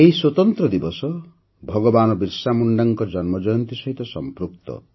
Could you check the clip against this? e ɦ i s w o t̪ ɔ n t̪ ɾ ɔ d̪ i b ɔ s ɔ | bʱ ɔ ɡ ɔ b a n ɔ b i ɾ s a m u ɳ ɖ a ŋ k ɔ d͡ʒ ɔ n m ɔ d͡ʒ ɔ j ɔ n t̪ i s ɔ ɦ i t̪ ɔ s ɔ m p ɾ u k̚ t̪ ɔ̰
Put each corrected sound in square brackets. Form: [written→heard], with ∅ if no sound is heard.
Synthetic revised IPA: e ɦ i s w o t̪ ɔ n t̪ ɾ ɔ d̪ i b ɔ s ɔ | bʱ ɔ ɡ ɔ b a n ɔ b i ɾ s a m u ɳ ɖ a ŋ k ɔ d͡ʒ ɔ n m ɔ d͡ʒ ɔ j ɔ n t̪ i s ɔ ɦ i t̪ ɔ s ɔ m p ɾ u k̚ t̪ ɔ̰